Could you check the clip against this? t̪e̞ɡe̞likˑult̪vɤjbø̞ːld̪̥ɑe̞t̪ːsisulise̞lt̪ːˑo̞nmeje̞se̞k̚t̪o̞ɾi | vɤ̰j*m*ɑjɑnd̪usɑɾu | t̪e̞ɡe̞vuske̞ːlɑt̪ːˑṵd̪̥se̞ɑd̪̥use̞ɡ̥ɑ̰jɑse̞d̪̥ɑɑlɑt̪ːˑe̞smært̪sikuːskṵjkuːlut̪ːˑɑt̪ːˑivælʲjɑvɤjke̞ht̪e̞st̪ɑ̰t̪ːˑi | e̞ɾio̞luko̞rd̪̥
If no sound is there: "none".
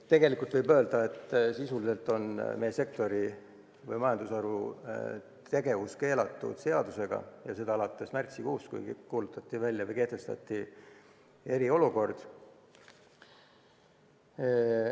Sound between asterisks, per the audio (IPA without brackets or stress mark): m